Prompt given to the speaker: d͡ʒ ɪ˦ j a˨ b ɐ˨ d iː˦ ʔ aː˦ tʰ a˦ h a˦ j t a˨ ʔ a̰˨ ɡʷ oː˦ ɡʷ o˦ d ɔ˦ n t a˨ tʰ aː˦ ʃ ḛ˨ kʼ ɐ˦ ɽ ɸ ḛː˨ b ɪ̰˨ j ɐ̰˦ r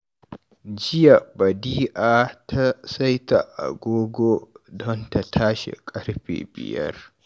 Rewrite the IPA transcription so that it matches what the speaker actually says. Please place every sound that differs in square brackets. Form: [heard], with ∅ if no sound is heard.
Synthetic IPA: d͡ʒ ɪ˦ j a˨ b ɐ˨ d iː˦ ʔ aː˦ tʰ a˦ [s] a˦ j t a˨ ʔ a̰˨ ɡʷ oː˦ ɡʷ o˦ d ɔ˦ n t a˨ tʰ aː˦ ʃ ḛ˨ kʼ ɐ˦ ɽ ɸ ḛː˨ b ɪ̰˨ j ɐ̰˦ r